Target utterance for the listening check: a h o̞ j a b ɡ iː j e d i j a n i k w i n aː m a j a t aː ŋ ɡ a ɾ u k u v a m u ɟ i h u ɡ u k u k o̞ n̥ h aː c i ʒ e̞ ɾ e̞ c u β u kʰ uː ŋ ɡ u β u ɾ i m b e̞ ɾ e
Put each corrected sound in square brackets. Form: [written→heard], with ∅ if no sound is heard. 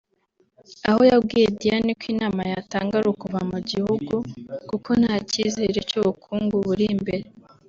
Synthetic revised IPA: a h o̞ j a b ɡ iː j e d i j a n i k w i n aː m a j a t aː ŋ ɡ a ɾ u k u v a m u ɟ i h u ɡ u k u k o̞ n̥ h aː c i [ʒ→z] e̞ ɾ e̞ c u β u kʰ uː ŋ ɡ u β u ɾ i m b e̞ ɾ e